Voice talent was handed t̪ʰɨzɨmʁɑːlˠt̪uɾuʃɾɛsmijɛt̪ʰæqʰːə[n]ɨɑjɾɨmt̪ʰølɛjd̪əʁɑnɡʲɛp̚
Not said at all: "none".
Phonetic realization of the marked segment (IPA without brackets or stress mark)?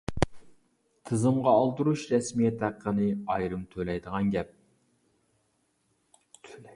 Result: n